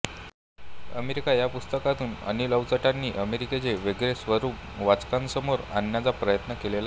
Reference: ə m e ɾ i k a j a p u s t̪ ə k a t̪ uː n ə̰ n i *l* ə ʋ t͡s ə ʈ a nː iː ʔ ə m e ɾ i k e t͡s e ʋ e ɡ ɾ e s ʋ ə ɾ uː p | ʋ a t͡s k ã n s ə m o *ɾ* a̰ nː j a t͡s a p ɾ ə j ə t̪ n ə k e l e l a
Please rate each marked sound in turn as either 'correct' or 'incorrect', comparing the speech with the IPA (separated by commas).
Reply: correct, correct